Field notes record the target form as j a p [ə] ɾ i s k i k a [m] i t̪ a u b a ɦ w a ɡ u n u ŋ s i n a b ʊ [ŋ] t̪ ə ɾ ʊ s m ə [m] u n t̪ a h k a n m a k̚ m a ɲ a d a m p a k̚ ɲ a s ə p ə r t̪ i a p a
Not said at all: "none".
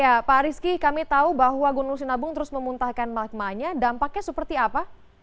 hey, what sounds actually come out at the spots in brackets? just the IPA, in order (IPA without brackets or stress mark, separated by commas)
a, m, ŋ, m